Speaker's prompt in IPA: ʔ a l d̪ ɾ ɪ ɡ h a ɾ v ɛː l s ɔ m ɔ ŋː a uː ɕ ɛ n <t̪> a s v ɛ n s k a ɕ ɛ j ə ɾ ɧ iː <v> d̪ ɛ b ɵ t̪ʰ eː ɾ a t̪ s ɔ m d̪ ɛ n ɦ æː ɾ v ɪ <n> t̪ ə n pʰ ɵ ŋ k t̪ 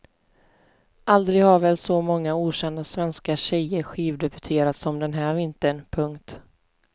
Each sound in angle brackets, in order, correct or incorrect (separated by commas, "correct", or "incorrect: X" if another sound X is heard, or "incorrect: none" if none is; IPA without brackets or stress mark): incorrect: d̪, correct, correct